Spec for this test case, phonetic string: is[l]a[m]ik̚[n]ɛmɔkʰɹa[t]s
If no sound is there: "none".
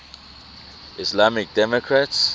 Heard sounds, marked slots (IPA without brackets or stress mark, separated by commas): l, m, d, t